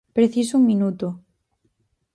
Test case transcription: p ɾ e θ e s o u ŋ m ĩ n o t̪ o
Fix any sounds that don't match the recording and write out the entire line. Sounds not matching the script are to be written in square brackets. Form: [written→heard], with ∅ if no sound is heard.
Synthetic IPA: p ɾ e θ [e→i] s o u ŋ m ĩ n [o→u] t̪ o